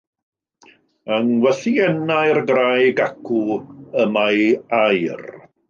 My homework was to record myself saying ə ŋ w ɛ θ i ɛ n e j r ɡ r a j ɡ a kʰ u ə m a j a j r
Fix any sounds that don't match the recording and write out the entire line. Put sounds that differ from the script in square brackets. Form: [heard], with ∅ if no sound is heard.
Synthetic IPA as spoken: ə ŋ w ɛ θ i ɛ n [a] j r ɡ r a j ɡ a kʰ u ə m a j a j r